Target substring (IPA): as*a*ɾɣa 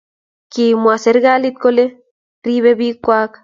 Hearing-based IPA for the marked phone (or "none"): e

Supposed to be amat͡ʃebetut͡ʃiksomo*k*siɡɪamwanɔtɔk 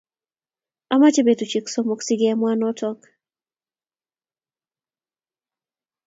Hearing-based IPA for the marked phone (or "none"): k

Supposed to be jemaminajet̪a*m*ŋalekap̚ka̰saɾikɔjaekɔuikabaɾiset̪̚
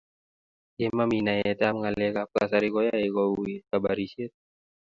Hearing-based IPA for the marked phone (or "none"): m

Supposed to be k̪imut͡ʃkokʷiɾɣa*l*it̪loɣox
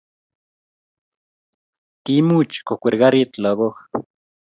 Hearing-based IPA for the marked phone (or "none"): ɾ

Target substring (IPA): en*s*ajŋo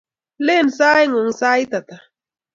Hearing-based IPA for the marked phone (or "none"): s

